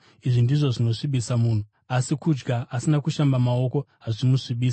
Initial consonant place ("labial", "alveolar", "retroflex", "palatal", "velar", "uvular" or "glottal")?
retroflex